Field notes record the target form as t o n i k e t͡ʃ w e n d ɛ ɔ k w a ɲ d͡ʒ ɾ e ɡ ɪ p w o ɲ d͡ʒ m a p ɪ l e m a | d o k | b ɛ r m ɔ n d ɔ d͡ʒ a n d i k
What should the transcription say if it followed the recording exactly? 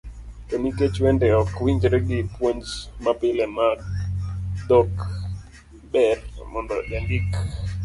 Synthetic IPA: t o n i k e t͡ʃ w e n d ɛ ɔ k w i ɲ d͡ʒ ɾ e ɡ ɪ p w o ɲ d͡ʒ m a p ɪ l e m a | d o k | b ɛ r m ɔ n d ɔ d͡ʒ a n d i k